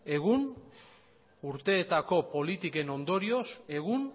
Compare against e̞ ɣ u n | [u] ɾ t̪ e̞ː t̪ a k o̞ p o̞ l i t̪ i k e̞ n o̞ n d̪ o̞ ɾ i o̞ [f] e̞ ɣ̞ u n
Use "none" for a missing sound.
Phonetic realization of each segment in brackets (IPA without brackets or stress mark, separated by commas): u, s